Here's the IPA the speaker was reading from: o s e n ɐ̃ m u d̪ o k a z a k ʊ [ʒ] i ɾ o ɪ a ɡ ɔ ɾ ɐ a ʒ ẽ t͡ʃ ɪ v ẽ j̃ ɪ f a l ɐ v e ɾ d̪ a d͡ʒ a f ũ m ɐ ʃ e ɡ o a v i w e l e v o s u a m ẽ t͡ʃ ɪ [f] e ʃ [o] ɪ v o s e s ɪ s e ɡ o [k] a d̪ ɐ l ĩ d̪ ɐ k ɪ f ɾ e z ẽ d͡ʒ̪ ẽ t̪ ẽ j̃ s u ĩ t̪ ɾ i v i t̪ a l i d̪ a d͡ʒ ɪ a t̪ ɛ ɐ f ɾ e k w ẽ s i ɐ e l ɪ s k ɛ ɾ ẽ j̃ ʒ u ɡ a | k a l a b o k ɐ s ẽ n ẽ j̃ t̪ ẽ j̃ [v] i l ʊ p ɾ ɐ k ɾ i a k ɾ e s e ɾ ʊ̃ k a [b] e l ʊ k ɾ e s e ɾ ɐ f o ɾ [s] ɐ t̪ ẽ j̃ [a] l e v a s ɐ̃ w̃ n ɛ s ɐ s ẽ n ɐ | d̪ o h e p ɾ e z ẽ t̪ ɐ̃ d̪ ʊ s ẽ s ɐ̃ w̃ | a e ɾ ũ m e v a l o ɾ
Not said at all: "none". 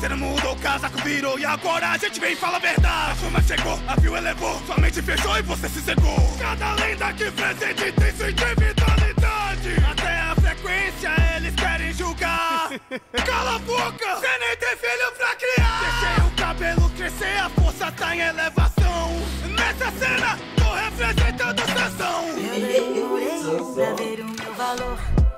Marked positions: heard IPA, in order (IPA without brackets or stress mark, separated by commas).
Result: v, f, o, k, f, b, s, e